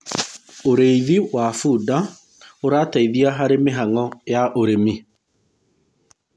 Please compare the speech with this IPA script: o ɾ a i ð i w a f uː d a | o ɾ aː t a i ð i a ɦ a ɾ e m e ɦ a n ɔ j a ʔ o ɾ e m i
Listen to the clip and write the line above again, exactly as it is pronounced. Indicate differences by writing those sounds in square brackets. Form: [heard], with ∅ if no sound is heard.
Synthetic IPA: o ɾ [e] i ð i w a f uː d a | o ɾ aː t a i ð i a ɦ a ɾ e m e ɦ a [ŋ] ɔ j a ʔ o ɾ e m i